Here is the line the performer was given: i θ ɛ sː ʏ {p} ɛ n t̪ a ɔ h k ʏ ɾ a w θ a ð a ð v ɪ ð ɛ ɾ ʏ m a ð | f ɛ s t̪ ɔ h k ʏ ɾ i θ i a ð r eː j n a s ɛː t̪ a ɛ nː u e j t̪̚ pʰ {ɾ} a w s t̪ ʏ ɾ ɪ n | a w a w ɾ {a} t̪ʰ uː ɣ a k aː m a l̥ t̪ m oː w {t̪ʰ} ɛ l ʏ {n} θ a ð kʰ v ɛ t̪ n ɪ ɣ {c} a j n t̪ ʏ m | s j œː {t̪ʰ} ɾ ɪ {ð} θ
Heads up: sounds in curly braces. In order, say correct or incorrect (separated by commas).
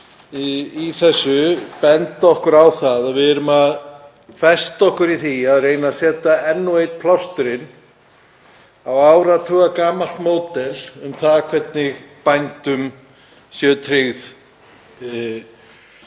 correct, incorrect, correct, incorrect, incorrect, incorrect, correct, incorrect